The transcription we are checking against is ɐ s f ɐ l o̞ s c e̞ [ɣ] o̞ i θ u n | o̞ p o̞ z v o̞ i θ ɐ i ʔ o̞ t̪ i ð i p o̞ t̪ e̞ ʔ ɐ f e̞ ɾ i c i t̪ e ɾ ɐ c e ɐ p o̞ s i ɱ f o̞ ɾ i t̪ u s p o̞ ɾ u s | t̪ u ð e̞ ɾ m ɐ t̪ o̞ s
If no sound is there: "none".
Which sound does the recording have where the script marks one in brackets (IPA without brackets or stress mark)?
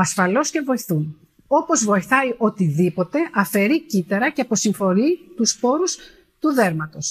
v